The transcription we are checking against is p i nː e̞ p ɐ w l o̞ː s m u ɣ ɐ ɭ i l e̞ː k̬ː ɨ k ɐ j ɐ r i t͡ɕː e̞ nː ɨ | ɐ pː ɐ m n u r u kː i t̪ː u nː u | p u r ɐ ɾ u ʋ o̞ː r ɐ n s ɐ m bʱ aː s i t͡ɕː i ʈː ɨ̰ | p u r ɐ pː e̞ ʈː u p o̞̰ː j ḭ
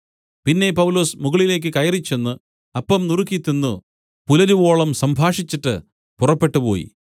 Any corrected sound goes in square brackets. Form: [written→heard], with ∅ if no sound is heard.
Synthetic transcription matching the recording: p i nː e̞ p ɐ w l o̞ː s m u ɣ ɐ ɭ i l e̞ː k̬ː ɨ k ɐ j ɐ r i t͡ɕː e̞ nː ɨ | ɐ pː ɐ m n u r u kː i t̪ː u nː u | p u [r→l] ɐ ɾ u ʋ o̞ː [r→ɭ] ɐ [n→m] s ɐ m bʱ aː [s→ʂ] i t͡ɕː i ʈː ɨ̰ | p u r ɐ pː e̞ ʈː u p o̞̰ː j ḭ